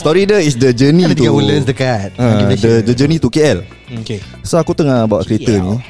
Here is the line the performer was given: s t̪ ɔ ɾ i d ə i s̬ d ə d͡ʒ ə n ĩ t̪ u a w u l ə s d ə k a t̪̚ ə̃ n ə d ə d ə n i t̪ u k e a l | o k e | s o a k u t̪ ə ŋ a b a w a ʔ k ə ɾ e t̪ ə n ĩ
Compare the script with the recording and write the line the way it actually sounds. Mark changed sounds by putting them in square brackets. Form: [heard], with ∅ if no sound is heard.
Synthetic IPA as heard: s t̪ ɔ ɾ i d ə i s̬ d ə d͡ʒ ə n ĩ t̪ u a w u l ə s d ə k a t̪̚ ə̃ [d] ə d ə [d͡ʒ] ə n i t̪ u k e [ɛ] l | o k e | s o a k u t̪ ə ŋ a b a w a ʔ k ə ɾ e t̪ ə n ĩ